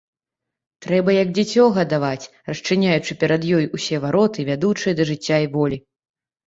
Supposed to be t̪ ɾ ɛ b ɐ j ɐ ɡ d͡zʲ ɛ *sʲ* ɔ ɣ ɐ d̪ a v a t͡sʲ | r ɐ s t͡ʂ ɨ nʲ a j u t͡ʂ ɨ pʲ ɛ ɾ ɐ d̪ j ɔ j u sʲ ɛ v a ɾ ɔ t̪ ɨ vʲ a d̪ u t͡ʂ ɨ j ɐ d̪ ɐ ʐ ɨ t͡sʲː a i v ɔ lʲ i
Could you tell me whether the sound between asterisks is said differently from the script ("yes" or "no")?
yes